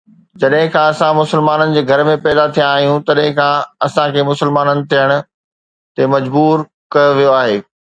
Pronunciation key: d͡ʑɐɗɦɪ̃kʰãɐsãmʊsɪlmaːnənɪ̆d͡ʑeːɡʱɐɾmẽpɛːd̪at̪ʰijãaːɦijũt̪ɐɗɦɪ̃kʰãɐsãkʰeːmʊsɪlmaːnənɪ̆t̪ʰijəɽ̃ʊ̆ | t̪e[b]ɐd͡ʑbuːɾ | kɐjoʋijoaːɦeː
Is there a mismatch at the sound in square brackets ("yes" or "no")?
yes